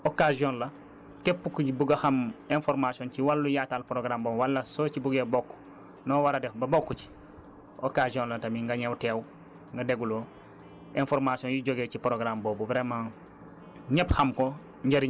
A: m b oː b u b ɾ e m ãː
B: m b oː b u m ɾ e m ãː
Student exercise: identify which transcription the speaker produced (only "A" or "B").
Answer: A